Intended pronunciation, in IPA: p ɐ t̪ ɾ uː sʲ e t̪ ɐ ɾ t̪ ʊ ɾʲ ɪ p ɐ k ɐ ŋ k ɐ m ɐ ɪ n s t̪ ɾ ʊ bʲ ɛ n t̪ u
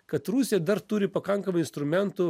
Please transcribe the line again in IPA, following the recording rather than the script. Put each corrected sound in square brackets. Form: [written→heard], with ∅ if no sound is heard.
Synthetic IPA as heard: [p→k] ɐ t̪ ɾ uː sʲ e [t̪→d̪] ɐ ɾ t̪ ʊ ɾʲ ɪ p ɐ k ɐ ŋ k ɐ m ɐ ɪ n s t̪ ɾ ʊ [bʲ→mʲ] ɛ n t̪ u